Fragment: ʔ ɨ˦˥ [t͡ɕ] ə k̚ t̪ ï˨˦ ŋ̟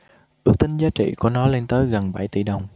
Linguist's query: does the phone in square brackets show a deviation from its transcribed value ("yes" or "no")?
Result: yes